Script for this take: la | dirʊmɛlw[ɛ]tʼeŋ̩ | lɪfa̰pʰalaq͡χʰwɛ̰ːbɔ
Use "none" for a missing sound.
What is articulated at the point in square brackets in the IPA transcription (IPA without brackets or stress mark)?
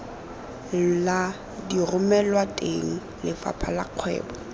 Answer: a